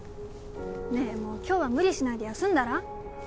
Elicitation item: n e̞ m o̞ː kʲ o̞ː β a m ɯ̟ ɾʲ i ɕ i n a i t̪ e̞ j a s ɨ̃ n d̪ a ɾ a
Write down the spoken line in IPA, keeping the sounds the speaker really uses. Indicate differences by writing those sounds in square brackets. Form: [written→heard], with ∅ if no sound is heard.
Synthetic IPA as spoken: n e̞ m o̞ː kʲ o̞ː β a m ɯ̟ ɾʲ i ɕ i n a i [t̪→d̪] e̞ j a s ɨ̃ n d̪ a ɾ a